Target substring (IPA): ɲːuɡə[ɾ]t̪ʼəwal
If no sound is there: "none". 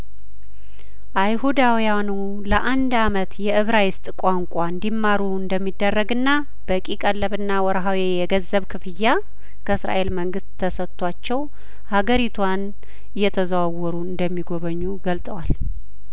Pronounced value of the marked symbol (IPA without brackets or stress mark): l